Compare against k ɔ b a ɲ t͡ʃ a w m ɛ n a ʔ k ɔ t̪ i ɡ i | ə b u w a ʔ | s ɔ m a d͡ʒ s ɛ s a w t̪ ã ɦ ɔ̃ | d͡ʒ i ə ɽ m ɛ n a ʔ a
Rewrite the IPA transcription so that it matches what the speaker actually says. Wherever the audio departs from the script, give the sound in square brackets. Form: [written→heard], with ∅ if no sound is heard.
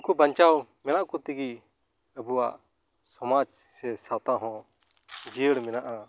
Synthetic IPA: k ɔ b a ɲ t͡ʃ a w m ɛ n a ʔ k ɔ t̪ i ɡ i | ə b u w a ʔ | s ɔ m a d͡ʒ s ɛ s a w t̪ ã ɦ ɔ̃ | d͡ʒ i ə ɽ m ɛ n a ʔ a